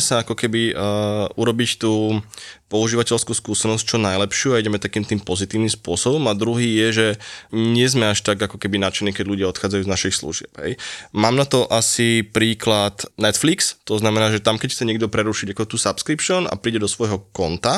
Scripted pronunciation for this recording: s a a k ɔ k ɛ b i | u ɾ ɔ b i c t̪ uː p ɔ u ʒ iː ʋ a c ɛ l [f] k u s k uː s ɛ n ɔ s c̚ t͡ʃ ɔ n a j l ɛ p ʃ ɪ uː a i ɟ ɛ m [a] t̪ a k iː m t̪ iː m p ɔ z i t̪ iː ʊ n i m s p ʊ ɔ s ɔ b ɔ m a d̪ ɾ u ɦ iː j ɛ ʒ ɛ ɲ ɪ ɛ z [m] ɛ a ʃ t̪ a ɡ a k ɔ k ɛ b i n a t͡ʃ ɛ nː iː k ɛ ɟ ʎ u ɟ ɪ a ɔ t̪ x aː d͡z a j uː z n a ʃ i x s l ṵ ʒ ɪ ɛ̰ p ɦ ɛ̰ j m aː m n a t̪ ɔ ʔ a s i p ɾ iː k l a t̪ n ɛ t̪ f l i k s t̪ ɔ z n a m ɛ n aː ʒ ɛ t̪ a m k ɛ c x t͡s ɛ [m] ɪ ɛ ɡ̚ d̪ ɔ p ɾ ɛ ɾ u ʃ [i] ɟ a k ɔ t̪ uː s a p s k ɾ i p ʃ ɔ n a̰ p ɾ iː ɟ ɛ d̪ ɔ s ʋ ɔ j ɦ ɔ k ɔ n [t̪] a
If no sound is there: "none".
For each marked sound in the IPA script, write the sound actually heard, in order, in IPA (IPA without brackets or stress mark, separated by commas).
s, ɛ, m, ɲ, i, t̪